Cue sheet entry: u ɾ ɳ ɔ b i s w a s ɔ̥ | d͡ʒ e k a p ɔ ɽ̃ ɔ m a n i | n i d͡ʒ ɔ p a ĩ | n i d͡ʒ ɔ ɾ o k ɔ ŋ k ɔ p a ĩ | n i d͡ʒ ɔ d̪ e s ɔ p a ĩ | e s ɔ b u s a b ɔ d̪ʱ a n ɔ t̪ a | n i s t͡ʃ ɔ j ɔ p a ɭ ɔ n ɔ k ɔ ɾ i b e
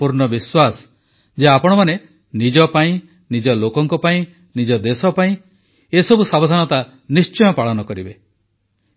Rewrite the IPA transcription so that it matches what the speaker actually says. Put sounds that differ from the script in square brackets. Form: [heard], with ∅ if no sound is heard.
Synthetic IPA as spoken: u ɾ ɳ ɔ b i s w a s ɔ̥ | d͡ʒ e [∅] a p ɔ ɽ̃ ɔ m a n [e] | n i d͡ʒ ɔ p a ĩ | n i d͡ʒ ɔ [l] o k ɔ ŋ k ɔ p a ĩ | n i d͡ʒ ɔ d̪ e s ɔ p a ĩ | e s ɔ b u s a b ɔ d̪ʱ a n ɔ t̪ a | n i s t͡ʃ ɔ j ɔ p a ɭ ɔ n ɔ k ɔ ɾ i b e